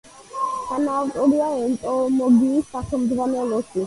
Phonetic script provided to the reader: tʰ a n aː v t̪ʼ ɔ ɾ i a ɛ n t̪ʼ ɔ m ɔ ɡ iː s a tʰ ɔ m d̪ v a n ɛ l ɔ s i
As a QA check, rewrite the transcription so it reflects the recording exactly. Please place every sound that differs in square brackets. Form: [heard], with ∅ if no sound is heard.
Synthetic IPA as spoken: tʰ a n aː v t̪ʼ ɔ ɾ i a ɛ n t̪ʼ ɔ m ɔ ɡ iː s a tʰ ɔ m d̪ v a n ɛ l ɔ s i